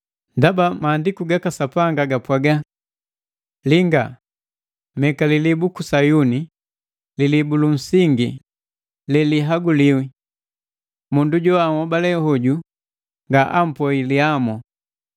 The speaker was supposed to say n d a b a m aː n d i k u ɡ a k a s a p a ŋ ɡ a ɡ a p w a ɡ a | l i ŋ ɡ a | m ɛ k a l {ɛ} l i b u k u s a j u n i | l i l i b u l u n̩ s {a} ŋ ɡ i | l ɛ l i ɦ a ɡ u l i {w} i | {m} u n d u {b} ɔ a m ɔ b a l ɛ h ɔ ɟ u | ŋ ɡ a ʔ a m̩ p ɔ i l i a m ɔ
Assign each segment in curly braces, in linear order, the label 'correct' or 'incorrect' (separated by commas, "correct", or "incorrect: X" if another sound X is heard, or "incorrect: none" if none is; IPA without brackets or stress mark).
incorrect: i, incorrect: i, correct, correct, incorrect: ɟ